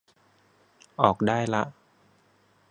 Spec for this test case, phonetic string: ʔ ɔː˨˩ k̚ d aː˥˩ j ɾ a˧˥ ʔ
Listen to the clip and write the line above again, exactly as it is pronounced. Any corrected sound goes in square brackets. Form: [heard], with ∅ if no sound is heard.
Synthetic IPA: ʔ ɔː˨˩ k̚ d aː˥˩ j [l] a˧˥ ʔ